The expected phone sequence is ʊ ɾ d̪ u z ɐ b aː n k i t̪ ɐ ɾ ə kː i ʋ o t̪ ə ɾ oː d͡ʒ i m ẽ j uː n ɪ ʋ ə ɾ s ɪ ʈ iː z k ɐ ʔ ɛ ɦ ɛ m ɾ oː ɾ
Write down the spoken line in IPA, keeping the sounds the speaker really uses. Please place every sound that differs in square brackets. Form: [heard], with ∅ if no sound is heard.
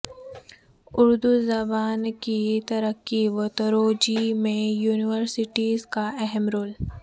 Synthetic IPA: ʊ ɾ d̪ u z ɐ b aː n k i t̪ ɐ ɾ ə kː i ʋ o t̪ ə ɾ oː d͡ʒ i m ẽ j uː n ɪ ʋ ə ɾ s ɪ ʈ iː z k [a] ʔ ɛ ɦ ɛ m ɾ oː [l]